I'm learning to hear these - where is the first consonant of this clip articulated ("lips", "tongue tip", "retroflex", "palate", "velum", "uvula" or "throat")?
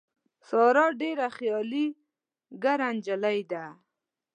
tongue tip